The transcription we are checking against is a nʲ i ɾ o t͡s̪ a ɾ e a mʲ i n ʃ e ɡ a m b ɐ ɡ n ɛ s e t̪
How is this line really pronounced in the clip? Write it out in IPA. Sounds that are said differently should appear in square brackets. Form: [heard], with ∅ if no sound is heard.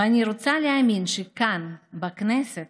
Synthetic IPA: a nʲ i ɾ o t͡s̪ a [l] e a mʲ i n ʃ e [k] a [n] b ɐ [k] n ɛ s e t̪